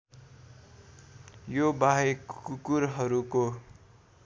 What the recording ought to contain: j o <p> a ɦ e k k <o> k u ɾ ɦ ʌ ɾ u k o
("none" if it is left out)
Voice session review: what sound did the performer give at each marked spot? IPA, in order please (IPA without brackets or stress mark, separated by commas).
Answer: b, u